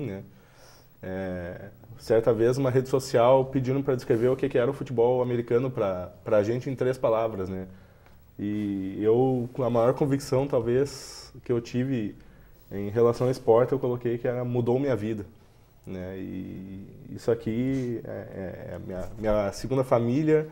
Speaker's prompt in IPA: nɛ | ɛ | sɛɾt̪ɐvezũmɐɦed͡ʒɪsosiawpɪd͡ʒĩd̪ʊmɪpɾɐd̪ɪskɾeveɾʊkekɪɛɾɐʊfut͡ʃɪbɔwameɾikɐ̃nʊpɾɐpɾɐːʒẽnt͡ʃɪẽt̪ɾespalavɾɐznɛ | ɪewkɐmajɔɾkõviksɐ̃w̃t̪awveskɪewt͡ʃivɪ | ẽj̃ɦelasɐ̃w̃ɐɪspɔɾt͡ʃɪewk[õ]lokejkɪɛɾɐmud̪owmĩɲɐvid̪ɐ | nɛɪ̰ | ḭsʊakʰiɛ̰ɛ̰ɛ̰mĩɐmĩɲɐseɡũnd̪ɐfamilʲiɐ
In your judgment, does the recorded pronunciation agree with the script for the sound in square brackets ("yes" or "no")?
no